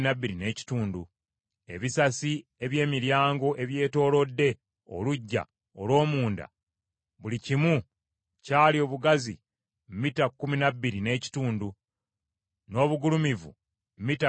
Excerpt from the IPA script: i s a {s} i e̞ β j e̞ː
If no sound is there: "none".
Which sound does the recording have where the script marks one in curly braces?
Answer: s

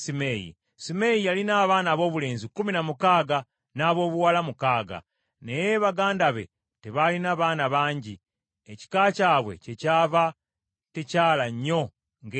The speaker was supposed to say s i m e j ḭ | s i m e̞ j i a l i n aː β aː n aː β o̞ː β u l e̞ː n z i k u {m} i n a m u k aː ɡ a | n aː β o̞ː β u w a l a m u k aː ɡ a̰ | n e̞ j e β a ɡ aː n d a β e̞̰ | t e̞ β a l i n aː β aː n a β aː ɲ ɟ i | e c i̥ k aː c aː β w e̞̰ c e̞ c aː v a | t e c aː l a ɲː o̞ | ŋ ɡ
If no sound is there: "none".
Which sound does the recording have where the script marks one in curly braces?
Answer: m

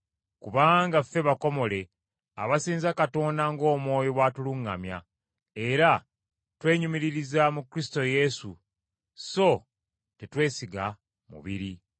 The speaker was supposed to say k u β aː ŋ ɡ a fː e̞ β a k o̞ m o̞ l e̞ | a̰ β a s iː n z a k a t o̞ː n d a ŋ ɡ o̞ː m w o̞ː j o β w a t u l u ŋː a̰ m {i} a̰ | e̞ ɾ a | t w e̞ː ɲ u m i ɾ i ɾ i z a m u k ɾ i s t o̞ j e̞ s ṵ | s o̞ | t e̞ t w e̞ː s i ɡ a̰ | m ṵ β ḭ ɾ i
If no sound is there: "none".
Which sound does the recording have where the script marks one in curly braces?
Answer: j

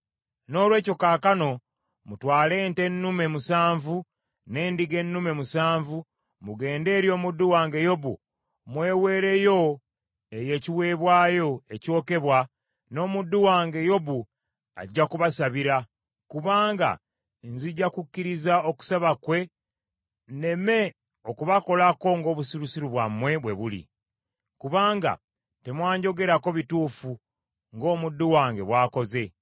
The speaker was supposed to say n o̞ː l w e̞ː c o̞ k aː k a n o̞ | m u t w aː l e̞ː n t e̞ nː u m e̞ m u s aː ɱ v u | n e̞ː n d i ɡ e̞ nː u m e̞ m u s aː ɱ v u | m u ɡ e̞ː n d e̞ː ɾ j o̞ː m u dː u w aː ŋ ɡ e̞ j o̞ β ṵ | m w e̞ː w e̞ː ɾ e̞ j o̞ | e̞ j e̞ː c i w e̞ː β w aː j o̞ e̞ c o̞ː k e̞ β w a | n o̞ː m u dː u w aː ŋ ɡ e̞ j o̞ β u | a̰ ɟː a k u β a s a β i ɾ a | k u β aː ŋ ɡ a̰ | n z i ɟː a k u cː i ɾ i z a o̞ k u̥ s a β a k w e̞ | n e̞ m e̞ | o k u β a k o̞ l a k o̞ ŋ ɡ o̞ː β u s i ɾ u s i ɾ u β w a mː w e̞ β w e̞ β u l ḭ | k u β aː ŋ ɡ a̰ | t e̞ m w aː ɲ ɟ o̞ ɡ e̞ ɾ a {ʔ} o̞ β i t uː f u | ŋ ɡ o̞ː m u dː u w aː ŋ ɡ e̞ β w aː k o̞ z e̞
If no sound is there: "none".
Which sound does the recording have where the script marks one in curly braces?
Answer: k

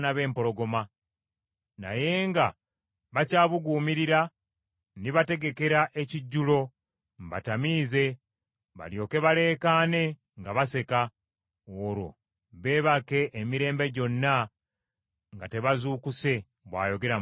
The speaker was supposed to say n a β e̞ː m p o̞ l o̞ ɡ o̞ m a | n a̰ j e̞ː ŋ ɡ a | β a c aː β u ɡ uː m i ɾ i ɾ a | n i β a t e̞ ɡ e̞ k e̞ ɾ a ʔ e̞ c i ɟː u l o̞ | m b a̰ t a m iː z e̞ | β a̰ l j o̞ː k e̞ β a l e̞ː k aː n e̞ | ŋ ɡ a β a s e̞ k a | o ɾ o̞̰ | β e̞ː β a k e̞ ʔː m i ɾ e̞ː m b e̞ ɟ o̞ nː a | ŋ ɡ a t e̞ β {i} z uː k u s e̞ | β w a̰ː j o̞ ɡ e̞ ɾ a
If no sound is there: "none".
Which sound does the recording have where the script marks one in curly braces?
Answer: a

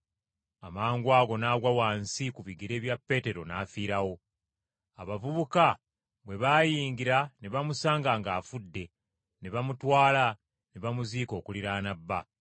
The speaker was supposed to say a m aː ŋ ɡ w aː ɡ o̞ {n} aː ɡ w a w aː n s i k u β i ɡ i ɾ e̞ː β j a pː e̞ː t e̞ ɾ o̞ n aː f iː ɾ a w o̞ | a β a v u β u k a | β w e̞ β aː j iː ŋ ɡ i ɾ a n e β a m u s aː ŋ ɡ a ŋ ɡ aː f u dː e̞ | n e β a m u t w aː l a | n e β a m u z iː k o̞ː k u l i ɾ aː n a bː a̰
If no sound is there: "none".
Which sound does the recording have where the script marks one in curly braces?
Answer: n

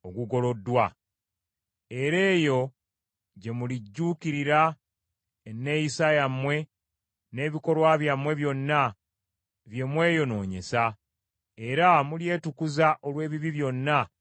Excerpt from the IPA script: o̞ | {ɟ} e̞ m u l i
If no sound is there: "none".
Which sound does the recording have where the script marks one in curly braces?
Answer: ɟ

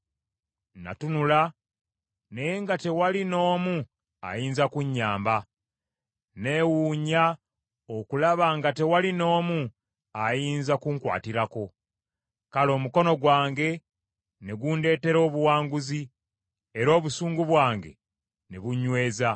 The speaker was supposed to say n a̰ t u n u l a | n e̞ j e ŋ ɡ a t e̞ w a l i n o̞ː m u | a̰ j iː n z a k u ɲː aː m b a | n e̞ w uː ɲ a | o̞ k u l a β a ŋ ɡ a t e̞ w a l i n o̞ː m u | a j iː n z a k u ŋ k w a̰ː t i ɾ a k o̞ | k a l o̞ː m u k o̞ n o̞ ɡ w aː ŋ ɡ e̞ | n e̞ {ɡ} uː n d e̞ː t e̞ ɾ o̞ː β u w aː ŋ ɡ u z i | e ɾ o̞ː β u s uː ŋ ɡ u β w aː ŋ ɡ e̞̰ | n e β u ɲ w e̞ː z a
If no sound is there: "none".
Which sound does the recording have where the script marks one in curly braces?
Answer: ɡ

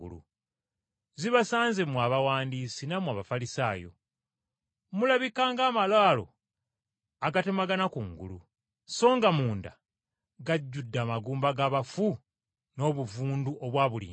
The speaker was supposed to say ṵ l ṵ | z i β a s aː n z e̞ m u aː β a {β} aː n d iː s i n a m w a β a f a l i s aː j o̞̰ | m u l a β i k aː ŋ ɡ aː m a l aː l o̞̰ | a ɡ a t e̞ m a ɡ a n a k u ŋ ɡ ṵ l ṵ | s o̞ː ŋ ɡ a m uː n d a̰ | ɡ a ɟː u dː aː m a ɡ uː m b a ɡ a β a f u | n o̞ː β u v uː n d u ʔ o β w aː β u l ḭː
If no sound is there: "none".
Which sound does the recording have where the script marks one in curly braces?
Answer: w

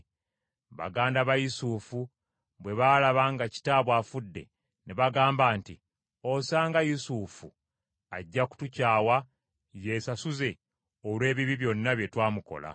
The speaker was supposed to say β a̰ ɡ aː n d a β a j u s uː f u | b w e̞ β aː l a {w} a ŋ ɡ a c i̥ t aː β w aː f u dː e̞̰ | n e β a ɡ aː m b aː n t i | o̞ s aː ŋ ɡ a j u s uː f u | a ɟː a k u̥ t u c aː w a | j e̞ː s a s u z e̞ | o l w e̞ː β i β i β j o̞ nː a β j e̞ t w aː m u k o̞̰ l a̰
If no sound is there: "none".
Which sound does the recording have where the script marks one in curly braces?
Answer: β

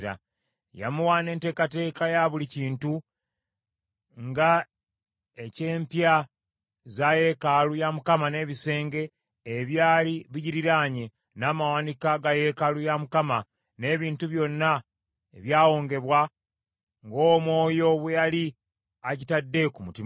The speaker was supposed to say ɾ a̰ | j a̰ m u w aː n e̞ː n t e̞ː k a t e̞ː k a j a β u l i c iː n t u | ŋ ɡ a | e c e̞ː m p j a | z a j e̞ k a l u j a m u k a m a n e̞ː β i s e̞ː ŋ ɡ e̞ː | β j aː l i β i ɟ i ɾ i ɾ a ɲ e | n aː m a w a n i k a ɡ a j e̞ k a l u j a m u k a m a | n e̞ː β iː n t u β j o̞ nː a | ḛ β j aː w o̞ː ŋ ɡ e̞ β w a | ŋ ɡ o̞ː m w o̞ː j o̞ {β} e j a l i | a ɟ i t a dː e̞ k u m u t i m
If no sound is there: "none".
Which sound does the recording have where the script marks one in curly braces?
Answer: β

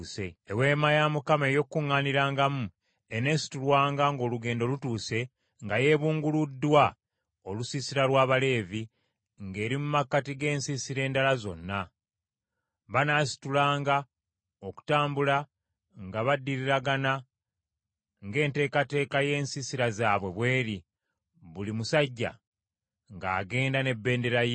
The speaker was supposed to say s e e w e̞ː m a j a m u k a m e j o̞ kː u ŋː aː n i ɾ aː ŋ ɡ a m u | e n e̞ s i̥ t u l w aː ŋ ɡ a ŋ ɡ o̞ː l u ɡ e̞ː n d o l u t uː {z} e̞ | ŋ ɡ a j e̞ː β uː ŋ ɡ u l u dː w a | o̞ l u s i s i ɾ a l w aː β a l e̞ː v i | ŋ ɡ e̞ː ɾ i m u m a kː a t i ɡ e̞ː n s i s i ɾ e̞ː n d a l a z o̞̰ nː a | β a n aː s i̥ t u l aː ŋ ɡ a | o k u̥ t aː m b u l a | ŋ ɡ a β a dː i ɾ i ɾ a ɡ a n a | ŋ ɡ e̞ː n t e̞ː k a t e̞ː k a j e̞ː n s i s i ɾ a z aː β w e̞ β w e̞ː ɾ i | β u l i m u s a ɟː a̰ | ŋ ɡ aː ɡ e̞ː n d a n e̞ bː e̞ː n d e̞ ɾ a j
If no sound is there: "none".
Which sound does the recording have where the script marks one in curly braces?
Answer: s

